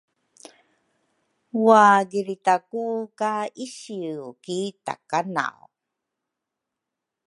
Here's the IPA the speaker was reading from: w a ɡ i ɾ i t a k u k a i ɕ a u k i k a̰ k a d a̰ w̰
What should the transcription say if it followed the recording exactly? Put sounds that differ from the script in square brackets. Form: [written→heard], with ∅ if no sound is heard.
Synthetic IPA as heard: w a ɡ i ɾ i t a k u k a i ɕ [a→i] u k i [k→t] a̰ k a [d→n] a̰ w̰

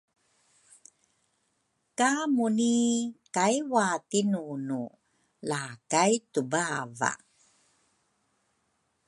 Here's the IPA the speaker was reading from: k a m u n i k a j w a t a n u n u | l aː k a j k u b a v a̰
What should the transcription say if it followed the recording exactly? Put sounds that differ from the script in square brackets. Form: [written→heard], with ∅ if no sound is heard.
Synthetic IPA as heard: k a m u n i k a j w a t [a→i] n u n u | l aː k a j [k→t] u b a v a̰

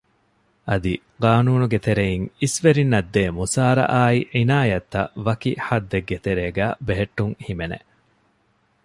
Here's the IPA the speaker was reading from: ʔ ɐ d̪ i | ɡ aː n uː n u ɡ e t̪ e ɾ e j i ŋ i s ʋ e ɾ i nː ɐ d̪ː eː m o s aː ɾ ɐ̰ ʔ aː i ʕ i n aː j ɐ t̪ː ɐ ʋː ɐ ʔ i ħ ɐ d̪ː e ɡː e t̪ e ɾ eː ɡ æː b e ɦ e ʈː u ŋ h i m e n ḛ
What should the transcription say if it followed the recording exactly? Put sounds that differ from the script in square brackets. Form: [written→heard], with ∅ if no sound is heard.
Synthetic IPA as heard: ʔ ɐ d̪ i | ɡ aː n uː n u ɡ e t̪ e ɾ e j i ŋ i s ʋ e ɾ i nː ɐ d̪ː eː m [o→u] s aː ɾ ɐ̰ ʔ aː i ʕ i n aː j ɐ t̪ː ɐ [ʋː→ʋ] ɐ [ʔ→k] i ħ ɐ d̪ː e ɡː e t̪ e ɾ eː ɡ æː b e ɦ e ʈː u ŋ h i m e n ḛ

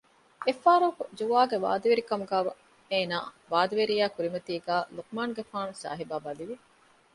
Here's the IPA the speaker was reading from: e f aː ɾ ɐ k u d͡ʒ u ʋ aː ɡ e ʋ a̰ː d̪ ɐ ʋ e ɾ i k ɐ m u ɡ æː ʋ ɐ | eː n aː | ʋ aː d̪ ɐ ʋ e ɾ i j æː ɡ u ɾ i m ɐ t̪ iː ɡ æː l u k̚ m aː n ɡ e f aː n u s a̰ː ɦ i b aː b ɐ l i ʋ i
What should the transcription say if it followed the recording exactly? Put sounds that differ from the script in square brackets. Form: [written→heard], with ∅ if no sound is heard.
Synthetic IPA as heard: e f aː ɾ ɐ k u d͡ʒ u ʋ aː ɡ e ʋ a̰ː d̪ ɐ ʋ e ɾ i k ɐ m u ɡ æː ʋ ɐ | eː n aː | ʋ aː d̪ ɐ ʋ e ɾ i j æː [ɡ→k] u ɾ i m ɐ t̪ iː ɡ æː l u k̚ m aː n ɡ e f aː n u s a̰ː ɦ i b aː b ɐ l i ʋ i

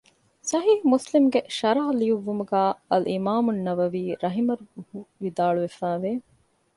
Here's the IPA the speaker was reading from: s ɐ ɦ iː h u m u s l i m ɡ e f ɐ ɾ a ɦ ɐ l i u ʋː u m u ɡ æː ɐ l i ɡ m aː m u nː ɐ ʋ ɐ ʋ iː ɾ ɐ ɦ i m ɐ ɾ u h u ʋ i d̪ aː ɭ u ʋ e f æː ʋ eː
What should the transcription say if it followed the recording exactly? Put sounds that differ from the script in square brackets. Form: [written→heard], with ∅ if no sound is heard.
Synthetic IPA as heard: s ɐ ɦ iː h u m u s l i m ɡ e [f→ʃ] ɐ ɾ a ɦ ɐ l i u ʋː u m u ɡ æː ɐ l i [ɡ→∅] m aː m u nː ɐ ʋ ɐ ʋ iː ɾ ɐ ɦ i m ɐ ɾ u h u ʋ i d̪ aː ɭ u ʋ e f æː ʋ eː

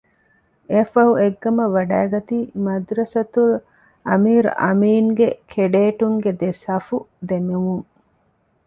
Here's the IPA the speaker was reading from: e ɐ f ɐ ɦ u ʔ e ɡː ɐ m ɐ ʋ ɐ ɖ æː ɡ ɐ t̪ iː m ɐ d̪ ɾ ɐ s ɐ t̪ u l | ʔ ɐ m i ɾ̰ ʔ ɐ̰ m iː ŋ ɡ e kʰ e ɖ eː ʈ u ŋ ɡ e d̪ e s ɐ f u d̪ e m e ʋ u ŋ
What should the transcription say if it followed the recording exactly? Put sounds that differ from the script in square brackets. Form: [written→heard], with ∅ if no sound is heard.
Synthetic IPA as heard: e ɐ f ɐ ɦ u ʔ e ɡː ɐ m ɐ ʋ ɐ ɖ æː ɡ ɐ t̪ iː m ɐ d̪ ɾ ɐ s ɐ t̪ u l | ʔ ɐ m [i→iː] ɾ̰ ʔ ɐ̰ m iː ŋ ɡ e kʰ e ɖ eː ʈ u ŋ ɡ e d̪ e s ɐ f u d̪ e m e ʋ u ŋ

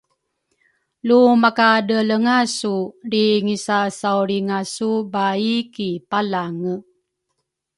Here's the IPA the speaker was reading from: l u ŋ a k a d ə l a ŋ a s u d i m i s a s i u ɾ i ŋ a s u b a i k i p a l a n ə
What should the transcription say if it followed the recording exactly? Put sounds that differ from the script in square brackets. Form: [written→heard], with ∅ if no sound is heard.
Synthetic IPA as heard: l u [ŋ→m] a k a d ə l [a→ə] ŋ a s u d i [m→ŋ] i s a s [i→a] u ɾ i ŋ a s u b a i k i p a l a [n→ŋ] ə

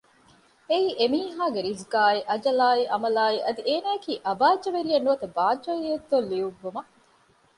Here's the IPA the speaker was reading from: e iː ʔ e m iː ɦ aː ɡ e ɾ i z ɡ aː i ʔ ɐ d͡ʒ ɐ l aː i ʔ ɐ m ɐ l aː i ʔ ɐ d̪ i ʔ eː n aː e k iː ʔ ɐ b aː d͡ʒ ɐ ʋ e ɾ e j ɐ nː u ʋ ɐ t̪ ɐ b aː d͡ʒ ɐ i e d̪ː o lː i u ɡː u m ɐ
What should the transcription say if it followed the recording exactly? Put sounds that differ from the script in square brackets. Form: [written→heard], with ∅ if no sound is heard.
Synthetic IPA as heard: e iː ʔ e m iː ɦ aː ɡ e ɾ i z ɡ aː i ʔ ɐ d͡ʒ ɐ l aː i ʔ ɐ m ɐ l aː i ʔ ɐ d̪ i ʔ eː n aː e k iː ʔ ɐ b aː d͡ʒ ɐ ʋ e ɾ [e→i] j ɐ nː u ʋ ɐ t̪ ɐ b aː d͡ʒ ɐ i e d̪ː o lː i u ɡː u m ɐ

